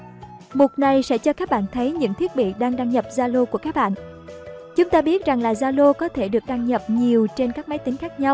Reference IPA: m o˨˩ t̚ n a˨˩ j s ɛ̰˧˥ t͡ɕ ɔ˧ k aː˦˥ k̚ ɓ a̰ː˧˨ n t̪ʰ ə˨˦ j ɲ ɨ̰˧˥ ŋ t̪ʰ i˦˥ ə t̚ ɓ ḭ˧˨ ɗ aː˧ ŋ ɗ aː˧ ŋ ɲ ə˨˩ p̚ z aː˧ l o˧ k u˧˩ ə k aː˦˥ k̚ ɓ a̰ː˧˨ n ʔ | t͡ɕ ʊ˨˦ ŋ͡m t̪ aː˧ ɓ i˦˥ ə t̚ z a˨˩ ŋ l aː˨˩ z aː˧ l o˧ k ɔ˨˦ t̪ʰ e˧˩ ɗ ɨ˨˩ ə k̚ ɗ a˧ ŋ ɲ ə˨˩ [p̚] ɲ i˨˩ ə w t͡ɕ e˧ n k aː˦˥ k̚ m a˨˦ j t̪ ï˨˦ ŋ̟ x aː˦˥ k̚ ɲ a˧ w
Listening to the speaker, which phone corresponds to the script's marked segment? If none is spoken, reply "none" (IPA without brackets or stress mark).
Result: p̚